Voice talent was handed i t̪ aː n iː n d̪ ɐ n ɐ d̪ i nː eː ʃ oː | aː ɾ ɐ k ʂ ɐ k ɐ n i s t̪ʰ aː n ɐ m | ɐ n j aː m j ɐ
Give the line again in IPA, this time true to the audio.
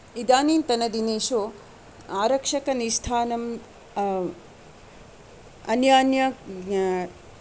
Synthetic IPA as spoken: i d̪ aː n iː n t̪ ɐ n ɐ d̪ i n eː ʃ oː | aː ɾ ɐ k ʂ ɐ k ɐ n i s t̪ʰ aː n ɐ m | ɐ n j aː n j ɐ

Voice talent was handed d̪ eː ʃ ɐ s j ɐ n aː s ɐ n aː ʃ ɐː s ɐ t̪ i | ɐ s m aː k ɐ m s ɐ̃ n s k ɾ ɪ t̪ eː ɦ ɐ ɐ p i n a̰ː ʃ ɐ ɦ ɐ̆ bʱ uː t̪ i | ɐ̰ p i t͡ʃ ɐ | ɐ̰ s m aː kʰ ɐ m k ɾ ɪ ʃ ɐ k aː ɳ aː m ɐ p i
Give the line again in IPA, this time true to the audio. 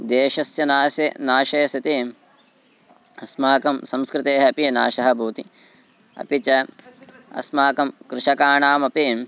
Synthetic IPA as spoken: d̪ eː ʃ ɐ s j ɐ n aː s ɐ n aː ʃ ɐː s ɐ t̪ i | ɐ s m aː k ɐ m s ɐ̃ m s k ɾ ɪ t̪ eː ɦ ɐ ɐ p i n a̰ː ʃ ɐ ɦ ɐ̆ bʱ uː t̪ i | ɐ̰ p i t͡ʃ ɐ | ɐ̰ s m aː k ɐ m k ɾ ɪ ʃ ɐ k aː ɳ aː m ɐ p i

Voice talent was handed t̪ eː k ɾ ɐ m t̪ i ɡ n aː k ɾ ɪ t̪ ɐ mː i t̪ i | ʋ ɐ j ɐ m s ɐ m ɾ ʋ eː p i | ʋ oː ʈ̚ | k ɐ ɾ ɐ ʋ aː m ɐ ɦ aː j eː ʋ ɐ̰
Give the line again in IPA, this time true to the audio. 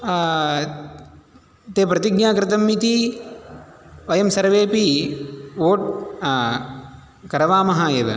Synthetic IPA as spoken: t̪ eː p ɾ ɐ t̪ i ɡ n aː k ɾ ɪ t̪ ɐ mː i t̪ i | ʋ ɐ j ɐ m s ɐ ɾ ʋ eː p i | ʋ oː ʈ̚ | k ɐ ɾ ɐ ʋ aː m ɐ ɦ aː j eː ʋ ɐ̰

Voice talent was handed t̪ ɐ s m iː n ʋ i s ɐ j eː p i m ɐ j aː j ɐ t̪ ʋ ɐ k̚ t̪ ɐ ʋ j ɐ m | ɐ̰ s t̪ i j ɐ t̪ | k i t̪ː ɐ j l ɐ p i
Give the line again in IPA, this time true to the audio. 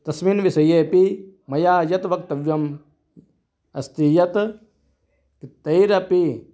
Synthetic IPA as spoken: t̪ ɐ s m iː n ʋ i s ɐ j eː p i m ɐ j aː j ɐ t̪ ʋ ɐ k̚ t̪ ɐ ʋ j ɐ m | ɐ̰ s t̪ i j ɐ t̪ | k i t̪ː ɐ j ɾ ɐ p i

